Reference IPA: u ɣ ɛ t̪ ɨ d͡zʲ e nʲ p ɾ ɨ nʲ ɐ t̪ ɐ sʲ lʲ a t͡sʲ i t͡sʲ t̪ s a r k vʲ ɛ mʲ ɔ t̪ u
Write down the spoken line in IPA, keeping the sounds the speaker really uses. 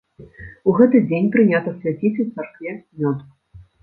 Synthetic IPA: u ɣ ɛ t̪ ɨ d͡zʲ e nʲ p ɾ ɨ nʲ a t̪ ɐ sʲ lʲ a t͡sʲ i t͡sʲ t̪ s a r k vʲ ɛ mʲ ɔ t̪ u